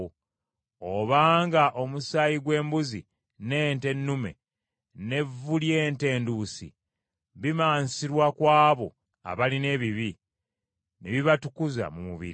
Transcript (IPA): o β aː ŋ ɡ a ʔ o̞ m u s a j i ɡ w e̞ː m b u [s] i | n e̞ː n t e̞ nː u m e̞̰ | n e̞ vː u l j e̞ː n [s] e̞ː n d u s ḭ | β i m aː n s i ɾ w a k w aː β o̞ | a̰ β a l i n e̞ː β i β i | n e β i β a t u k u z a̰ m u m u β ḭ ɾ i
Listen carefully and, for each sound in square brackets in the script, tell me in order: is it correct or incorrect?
incorrect, incorrect

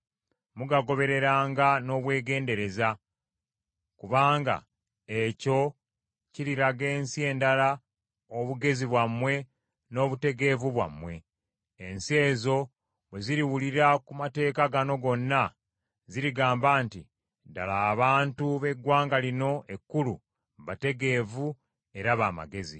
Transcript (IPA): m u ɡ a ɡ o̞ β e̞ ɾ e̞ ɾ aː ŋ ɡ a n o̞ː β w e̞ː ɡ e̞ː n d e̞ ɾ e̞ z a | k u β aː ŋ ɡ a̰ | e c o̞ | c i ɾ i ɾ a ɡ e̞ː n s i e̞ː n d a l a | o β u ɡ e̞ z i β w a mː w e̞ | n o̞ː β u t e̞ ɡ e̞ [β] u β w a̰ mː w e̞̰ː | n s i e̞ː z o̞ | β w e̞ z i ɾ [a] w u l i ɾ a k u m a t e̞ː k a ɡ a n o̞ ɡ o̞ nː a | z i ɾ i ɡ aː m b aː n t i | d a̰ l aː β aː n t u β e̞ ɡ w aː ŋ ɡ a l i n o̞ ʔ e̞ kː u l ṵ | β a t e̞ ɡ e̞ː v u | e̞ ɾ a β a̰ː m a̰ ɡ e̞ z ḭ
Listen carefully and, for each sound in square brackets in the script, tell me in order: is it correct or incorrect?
incorrect, incorrect

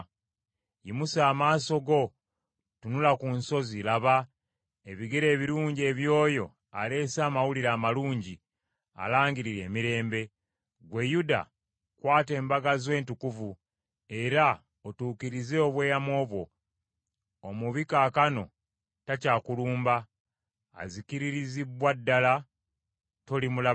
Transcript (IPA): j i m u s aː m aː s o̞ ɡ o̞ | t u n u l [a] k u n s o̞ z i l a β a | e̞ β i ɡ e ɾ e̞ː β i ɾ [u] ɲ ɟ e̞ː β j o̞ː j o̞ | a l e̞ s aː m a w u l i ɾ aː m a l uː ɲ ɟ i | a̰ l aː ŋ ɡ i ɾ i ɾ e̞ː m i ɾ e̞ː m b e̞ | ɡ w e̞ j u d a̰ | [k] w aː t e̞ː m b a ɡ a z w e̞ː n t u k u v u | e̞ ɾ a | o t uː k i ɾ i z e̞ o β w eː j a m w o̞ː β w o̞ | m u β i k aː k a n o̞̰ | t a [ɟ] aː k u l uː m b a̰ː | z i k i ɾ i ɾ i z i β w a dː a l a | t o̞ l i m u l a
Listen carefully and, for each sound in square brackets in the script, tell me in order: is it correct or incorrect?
correct, incorrect, correct, incorrect

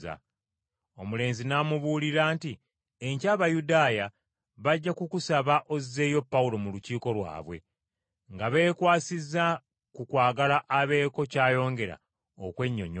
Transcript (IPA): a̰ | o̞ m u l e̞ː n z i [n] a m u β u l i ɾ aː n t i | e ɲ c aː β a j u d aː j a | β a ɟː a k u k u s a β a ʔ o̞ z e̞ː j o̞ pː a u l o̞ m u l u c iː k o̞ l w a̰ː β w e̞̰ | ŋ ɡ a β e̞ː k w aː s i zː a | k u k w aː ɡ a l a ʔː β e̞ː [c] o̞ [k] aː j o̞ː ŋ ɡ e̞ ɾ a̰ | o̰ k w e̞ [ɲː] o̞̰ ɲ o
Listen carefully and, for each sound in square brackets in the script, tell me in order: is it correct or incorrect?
correct, incorrect, incorrect, correct

